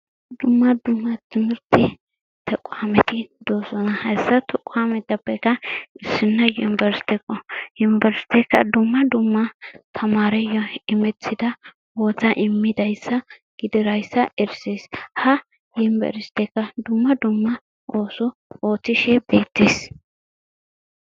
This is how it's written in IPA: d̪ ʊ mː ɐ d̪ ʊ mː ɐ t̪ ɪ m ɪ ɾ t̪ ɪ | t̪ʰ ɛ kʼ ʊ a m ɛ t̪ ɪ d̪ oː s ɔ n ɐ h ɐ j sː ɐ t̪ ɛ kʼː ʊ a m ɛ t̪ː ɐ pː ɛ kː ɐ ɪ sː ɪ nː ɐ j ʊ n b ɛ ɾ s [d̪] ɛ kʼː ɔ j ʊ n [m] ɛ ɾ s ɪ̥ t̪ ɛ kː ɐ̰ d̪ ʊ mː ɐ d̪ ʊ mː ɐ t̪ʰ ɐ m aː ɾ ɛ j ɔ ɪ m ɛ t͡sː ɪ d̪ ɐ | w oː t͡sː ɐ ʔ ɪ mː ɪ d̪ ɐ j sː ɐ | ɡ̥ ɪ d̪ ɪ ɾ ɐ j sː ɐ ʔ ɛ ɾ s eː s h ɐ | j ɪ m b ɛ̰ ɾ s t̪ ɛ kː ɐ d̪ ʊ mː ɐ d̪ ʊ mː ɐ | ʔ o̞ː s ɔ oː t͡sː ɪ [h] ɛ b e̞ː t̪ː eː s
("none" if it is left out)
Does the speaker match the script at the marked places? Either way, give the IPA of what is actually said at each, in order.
t̪, b, ʃ

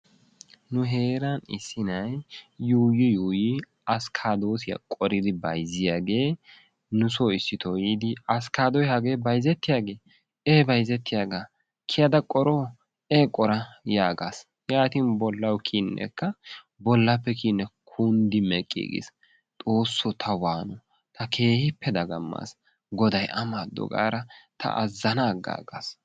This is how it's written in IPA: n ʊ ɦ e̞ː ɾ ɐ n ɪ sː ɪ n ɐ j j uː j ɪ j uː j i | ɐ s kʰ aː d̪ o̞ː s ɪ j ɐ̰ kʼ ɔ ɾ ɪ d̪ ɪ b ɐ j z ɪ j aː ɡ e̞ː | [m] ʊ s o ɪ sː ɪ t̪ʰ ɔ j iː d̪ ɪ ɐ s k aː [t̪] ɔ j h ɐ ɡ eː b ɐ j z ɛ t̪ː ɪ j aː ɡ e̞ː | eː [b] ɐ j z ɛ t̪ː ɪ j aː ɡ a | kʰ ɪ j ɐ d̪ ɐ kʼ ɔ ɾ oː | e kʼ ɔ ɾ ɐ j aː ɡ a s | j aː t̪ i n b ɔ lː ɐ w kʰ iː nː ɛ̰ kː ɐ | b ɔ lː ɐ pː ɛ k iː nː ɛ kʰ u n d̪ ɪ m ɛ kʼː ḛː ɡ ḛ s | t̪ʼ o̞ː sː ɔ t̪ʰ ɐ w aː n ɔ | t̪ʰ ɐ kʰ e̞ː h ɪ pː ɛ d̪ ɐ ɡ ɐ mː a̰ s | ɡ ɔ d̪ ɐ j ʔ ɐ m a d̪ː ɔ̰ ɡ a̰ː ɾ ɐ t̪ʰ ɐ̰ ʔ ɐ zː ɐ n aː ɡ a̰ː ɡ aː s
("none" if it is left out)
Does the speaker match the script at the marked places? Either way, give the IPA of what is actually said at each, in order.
n, d̪, b

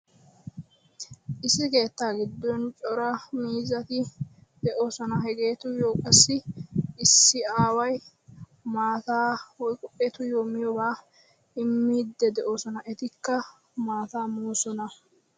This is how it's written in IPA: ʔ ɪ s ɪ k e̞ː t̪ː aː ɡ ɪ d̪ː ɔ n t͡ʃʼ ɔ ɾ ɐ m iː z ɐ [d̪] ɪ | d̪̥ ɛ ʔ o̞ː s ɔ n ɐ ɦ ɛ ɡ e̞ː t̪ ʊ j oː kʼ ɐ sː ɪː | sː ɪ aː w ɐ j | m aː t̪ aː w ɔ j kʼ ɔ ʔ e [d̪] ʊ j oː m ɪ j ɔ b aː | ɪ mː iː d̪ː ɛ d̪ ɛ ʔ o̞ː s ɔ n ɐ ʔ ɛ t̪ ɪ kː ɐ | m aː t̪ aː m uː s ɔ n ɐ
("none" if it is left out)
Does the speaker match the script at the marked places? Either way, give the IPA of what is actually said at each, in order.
t̪, t̪

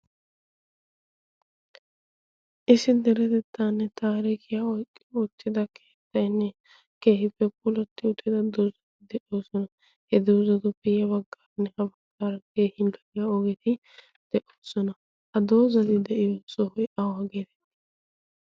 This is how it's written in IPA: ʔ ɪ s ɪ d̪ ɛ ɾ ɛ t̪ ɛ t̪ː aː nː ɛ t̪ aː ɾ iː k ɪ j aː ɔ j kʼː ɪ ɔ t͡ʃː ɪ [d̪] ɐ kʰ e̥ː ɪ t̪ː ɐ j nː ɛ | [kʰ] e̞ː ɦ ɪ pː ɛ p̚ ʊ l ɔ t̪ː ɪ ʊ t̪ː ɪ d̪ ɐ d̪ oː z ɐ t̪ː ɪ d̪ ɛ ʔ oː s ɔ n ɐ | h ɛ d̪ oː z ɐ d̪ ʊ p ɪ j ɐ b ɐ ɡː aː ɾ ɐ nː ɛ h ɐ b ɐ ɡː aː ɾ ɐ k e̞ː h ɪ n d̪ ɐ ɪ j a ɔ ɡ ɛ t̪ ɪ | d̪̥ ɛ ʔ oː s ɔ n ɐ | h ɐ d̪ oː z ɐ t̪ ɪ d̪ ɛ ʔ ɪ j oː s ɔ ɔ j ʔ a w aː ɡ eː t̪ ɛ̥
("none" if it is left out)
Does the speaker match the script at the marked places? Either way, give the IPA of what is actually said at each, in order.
d̪, k

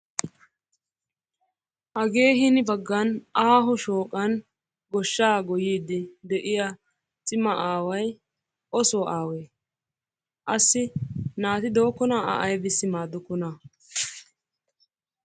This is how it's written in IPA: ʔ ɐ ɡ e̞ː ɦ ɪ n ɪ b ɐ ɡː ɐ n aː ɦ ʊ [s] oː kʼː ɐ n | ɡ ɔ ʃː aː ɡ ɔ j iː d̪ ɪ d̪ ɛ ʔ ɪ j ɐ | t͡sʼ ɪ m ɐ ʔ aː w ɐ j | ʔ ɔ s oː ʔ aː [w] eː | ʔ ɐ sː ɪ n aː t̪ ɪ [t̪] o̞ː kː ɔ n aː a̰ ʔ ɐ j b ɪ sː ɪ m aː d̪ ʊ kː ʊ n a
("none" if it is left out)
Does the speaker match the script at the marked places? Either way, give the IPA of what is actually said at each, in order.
ʃ, w, d̪

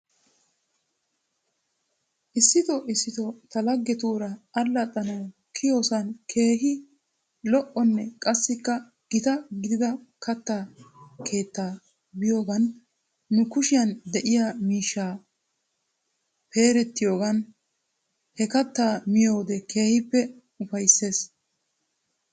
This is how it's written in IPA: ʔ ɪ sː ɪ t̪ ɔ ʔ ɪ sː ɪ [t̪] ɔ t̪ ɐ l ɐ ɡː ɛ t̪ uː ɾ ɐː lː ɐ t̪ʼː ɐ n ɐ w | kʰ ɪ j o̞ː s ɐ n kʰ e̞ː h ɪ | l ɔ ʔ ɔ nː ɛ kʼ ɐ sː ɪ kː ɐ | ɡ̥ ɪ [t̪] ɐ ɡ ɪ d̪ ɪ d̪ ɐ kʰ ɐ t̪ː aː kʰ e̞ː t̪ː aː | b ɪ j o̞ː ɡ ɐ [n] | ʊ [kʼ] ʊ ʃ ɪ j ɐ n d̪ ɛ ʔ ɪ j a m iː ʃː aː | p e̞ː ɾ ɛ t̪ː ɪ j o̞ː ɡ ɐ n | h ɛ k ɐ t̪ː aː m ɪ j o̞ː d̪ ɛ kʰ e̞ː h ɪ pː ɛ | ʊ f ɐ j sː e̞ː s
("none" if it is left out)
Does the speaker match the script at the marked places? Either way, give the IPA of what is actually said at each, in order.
t̪, t̪, nː, k

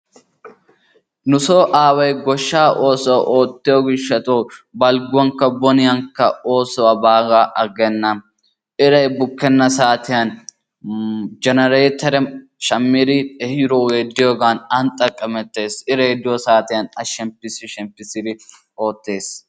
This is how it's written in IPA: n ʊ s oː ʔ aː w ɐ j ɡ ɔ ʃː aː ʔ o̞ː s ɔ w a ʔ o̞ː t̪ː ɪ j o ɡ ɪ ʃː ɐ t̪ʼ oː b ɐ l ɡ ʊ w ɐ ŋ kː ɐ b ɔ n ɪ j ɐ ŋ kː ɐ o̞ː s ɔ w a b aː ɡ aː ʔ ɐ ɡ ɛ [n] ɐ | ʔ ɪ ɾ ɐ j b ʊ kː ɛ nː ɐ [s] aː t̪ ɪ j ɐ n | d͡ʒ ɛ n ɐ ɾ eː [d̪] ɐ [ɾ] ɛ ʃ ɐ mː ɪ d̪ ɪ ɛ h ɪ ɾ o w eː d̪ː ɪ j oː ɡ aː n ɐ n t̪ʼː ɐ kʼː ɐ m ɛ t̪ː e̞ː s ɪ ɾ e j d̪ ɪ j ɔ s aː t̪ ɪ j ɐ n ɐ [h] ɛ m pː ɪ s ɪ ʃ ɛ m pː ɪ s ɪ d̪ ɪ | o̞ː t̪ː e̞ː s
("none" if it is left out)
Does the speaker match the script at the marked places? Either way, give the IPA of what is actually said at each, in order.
nː, s, t̪, ɾ, ʃ

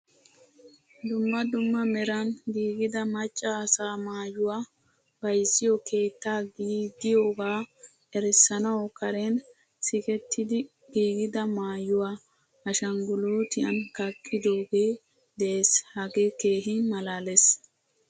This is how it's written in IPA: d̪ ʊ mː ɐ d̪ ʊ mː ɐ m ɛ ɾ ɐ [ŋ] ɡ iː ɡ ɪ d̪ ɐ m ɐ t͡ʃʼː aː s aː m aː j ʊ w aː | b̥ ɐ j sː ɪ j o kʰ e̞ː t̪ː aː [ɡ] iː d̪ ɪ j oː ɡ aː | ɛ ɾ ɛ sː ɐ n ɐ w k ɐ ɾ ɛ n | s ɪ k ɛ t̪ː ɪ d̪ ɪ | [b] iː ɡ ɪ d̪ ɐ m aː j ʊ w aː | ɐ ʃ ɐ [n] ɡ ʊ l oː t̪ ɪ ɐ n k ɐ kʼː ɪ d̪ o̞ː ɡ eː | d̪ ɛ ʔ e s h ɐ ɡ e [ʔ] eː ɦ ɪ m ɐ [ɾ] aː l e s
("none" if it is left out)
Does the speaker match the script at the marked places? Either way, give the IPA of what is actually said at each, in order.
n, ɡ, ɡ, ŋ, k, l

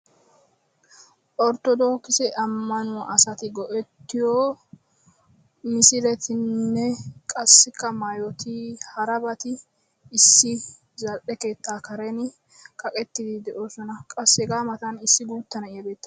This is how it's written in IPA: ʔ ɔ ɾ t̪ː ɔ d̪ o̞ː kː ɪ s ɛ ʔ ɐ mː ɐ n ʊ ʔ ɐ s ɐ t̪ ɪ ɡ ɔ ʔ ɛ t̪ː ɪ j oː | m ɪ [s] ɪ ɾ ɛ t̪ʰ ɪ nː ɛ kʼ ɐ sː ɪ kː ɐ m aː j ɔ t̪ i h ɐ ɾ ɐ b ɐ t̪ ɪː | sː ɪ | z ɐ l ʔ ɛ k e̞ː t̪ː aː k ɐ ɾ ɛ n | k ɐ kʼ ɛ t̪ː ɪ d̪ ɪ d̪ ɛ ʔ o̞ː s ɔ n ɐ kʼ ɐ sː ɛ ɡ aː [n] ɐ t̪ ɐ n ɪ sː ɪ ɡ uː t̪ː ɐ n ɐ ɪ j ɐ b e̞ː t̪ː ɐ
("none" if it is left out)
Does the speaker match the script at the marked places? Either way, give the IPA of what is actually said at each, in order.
s, m

